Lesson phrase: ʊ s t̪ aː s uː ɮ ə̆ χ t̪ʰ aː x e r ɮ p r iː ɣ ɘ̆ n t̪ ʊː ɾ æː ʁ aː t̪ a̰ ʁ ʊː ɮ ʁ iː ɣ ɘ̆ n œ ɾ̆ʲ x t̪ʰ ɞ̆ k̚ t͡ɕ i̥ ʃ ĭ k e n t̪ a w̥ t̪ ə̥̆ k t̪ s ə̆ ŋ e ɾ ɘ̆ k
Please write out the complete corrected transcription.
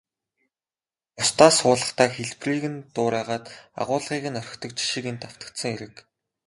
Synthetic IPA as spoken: ʊ s t̪ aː s ʊː ɮ ə̆ χ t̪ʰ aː x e ɮ p r iː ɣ ɘ̆ n t̪ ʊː ɾ æː ʁ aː t̪ a̰ ʁ ʊː ɮ ʁ iː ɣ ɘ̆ n œ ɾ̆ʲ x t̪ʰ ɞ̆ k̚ t͡ɕ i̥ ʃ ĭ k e n t̪ a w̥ t̪ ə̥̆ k t̪ s ə̆ ŋ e ɾ ɘ̆ k